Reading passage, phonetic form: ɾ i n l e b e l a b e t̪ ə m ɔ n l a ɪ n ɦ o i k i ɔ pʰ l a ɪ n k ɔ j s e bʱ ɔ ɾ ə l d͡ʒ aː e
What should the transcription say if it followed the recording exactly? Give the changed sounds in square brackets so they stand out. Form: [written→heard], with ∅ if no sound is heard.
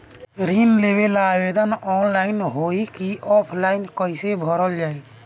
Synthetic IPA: ɾ i n l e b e l a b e [t̪→d̪] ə [m→n] ɔ n l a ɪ n ɦ o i k i ɔ pʰ l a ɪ n k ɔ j s e bʱ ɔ ɾ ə l d͡ʒ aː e